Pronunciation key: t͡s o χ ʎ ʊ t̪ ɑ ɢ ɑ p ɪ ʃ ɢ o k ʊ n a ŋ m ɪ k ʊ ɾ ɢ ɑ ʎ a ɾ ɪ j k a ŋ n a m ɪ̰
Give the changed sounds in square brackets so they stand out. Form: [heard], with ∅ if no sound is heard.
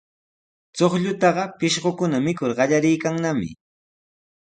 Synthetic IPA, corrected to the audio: t͡s o χ ʎ ʊ t̪ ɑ ɢ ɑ p ɪ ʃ ɢ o k ʊ n a [∅] m ɪ k ʊ ɾ ɢ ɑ ʎ a ɾ ɪ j k a ŋ n a m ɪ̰